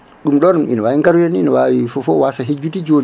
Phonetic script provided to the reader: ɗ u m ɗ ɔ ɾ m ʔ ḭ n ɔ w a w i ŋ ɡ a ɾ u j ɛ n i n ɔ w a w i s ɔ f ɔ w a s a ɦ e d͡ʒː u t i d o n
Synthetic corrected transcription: ɗ u m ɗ ɔ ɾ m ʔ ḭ n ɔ w a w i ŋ ɡ a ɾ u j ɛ n i n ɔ w a w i f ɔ f ɔ w a s a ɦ e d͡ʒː u t i d͡ʒ o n